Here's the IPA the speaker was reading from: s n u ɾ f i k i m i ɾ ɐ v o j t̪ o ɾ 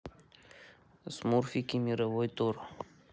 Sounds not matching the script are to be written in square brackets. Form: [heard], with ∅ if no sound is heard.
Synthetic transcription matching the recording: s [m] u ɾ f i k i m i ɾ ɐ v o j t̪ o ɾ

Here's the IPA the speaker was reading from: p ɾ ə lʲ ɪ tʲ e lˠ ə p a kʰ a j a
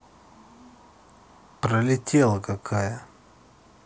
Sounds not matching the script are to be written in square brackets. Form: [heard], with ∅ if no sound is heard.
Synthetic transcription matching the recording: p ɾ ə lʲ ɪ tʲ e lˠ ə [k] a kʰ a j [ə]

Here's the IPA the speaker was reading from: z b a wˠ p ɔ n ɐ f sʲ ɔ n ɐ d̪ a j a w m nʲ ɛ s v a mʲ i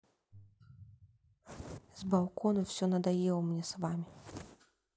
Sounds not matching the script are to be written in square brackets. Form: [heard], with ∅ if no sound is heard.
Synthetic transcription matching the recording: z b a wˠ [k] ɔ n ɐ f sʲ ɔ n ɐ d̪ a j [ɛ] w m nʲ ɛ s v a mʲ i

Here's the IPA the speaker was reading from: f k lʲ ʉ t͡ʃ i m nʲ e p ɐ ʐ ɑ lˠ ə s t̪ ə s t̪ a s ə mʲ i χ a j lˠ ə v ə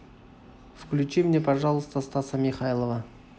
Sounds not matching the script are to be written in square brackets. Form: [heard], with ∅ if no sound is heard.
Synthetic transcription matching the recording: f k lʲ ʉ t͡ʃ i m nʲ e p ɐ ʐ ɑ lˠ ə s t̪ ə s t̪ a s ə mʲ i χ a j lˠ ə v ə

